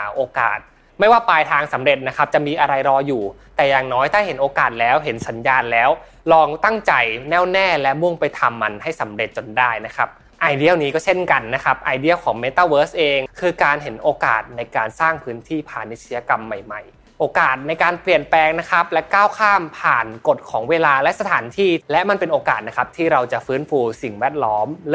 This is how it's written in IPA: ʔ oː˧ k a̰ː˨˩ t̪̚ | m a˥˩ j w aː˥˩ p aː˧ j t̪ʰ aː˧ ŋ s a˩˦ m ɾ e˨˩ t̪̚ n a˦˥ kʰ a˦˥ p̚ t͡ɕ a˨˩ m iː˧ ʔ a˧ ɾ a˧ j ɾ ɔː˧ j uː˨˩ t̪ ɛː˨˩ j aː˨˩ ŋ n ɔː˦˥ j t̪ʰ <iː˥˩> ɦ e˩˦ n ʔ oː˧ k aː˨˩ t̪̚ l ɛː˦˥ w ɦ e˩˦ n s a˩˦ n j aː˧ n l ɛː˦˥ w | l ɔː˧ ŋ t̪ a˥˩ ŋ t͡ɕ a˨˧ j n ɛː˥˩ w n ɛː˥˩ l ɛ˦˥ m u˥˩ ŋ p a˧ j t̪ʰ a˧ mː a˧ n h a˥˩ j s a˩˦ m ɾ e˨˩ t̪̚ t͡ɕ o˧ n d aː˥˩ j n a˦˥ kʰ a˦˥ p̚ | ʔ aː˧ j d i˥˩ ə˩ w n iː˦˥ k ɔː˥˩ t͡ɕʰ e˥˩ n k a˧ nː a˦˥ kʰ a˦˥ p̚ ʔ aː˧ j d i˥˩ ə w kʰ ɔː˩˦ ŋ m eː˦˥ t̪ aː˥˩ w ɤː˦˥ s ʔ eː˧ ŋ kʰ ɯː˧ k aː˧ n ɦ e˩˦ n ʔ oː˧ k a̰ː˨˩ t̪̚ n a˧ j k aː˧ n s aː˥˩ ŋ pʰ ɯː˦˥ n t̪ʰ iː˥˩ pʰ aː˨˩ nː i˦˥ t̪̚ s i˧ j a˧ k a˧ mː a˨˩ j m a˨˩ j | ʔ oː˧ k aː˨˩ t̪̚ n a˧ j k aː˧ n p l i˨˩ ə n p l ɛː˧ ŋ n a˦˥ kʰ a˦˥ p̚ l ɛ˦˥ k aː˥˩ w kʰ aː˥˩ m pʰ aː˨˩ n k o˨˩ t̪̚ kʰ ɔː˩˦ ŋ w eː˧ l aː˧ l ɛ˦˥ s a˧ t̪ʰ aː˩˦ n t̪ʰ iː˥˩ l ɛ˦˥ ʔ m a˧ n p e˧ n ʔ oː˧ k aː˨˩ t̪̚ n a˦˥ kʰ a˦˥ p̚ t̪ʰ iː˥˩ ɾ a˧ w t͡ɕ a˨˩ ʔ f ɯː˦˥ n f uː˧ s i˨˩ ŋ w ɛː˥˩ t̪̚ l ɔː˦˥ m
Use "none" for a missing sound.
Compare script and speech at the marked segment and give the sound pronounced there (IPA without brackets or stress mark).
aː˥˩